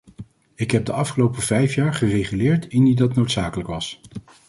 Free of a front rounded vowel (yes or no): no